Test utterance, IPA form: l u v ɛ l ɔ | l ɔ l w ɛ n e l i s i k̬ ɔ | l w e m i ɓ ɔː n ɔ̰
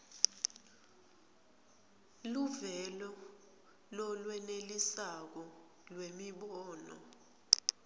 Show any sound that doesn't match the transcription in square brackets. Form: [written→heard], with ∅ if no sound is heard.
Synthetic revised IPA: l u v ɛ l ɔ | l ɔ l w ɛ n e l i s [i→a] k̬ ɔ | l w e m i ɓ ɔː n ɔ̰